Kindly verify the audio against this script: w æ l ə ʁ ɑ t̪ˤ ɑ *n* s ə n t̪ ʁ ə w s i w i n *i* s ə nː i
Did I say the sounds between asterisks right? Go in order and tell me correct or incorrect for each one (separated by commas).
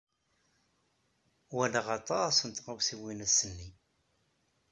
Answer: incorrect, incorrect